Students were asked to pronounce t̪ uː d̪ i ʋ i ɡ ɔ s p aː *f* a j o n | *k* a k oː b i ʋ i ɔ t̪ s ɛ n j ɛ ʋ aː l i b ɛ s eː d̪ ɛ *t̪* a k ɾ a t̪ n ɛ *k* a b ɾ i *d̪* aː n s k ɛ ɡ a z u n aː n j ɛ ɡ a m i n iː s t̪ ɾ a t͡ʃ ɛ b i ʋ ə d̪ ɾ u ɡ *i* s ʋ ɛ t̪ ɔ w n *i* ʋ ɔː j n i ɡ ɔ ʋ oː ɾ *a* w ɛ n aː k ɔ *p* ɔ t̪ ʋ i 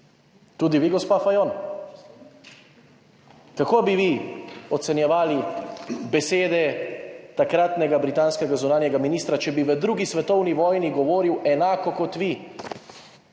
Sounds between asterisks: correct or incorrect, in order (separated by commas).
correct, correct, correct, incorrect, incorrect, correct, correct, incorrect, incorrect